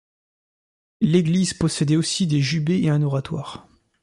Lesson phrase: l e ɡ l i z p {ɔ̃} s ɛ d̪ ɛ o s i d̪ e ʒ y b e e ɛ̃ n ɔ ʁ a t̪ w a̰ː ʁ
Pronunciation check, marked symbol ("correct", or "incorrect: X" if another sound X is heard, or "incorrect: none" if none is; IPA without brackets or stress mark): incorrect: ɔ